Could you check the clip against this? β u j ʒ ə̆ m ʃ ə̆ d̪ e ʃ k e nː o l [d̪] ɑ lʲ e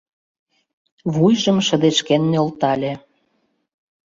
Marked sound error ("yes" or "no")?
yes